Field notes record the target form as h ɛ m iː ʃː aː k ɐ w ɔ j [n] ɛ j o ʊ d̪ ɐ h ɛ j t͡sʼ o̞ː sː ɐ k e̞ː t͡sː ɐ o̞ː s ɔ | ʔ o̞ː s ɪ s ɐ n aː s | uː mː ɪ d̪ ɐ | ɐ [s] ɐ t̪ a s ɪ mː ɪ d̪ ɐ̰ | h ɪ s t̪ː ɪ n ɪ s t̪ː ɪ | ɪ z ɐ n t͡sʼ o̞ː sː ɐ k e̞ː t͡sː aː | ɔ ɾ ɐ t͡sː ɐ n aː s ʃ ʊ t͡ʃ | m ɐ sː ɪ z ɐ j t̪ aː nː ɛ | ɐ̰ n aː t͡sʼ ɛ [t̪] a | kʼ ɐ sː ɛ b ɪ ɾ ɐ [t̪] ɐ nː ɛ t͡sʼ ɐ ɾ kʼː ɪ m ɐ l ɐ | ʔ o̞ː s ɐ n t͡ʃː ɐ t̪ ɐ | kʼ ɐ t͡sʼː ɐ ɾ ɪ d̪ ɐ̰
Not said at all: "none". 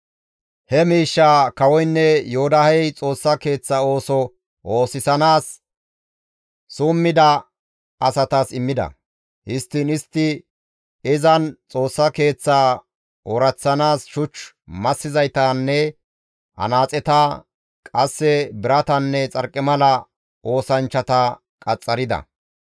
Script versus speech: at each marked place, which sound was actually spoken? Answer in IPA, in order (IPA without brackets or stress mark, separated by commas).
nː, s, t̪, t̪